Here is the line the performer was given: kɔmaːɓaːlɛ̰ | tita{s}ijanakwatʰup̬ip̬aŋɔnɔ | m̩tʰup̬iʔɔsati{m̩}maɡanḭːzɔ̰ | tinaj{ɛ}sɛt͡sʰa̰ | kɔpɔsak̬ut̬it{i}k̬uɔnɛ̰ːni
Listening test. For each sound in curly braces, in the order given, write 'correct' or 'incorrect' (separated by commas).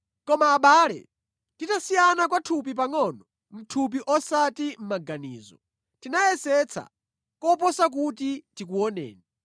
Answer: correct, correct, correct, correct